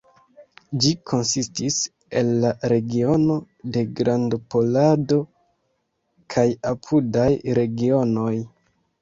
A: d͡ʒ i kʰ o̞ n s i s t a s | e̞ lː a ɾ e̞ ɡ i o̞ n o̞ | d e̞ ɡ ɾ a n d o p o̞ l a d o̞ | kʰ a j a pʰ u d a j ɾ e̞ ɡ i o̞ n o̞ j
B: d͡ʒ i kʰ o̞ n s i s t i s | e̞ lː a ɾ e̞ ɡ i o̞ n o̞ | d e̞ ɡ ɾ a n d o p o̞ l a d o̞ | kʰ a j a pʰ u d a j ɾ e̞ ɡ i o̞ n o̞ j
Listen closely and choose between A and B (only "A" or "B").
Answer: B